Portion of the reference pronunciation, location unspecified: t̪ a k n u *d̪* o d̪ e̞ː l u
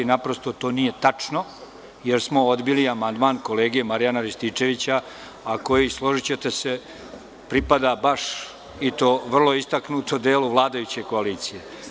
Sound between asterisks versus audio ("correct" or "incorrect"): incorrect